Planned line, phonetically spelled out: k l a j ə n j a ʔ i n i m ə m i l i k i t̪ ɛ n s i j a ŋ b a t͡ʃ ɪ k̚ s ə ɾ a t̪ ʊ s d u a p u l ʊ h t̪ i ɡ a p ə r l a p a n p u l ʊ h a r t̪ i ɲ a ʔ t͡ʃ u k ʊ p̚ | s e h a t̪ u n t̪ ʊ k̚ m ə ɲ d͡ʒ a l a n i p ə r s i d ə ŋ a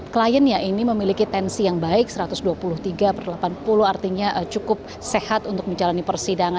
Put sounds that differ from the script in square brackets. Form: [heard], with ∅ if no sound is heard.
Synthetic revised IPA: k l a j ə n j a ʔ i n i m ə m i l i k i t̪ ɛ n s i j a ŋ b a [∅] ɪ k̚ s ə ɾ a t̪ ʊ s d u a p u l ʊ h t̪ i ɡ a p ə r l a p a n p u l ʊ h a r t̪ i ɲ a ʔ t͡ʃ u k ʊ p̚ | s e h a t̪ u n t̪ ʊ k̚ m ə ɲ d͡ʒ a l a n i p ə r s i d [a] ŋ a